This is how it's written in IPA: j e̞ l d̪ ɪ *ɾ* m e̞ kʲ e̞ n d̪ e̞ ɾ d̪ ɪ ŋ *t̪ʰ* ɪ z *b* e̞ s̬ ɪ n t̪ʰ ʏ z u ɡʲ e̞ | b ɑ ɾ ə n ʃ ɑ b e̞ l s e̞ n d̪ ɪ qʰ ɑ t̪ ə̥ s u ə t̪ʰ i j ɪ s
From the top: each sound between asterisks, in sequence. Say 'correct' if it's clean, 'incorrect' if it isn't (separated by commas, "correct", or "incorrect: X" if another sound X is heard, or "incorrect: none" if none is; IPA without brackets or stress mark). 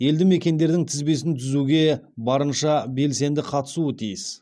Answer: incorrect: none, correct, correct